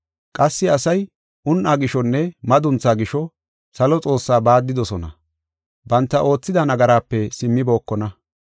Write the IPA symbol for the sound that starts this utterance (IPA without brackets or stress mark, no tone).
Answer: kʼ